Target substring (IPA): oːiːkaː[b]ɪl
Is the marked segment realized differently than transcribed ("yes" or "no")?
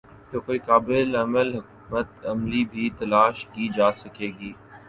no